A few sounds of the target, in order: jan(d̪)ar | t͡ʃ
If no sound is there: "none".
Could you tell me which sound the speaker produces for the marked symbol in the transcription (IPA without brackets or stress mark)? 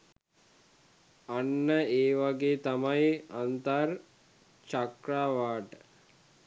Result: t̪